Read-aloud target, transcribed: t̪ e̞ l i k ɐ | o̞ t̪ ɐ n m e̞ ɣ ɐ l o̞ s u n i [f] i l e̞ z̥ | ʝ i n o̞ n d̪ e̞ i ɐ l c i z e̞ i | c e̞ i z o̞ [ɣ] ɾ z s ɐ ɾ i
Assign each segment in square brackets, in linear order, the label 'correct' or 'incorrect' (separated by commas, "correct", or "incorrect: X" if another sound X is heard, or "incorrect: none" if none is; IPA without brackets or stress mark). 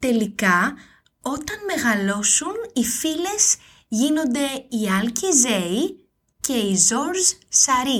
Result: correct, incorrect: none